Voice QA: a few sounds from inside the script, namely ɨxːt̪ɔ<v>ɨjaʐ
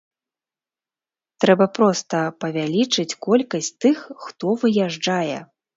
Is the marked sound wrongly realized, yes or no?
no